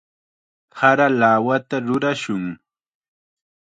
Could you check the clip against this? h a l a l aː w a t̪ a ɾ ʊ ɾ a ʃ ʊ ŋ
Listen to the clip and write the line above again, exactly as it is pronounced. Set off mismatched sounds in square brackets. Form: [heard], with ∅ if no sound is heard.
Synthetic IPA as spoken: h a [ɾ] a l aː w a t̪ a ɾ ʊ ɾ a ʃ ʊ ŋ